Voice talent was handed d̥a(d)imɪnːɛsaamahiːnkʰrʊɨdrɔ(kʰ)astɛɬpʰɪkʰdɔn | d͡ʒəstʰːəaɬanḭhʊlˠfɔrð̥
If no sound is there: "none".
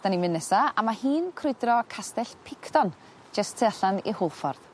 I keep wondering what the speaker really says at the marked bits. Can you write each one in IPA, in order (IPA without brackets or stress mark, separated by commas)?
n, kʰ